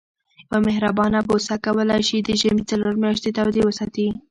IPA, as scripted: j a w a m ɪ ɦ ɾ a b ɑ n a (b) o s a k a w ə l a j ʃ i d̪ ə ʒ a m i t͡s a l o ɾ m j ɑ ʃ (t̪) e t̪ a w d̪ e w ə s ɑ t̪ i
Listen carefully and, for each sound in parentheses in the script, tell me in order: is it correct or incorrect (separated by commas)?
correct, correct